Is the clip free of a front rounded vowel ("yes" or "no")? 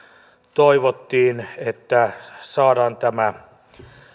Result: yes